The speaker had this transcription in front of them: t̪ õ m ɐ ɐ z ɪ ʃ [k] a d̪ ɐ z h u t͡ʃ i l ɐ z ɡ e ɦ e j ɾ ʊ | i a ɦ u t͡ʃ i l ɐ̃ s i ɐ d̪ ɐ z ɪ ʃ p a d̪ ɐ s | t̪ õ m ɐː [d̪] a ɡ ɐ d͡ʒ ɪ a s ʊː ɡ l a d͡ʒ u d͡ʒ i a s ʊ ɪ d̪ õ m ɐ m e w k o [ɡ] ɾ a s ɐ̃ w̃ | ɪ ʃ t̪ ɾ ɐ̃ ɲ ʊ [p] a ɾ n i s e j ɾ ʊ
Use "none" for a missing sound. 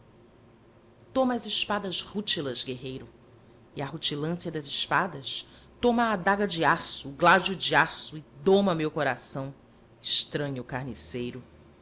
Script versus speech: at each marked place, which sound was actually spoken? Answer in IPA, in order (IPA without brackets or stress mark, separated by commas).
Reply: p, d̪, none, k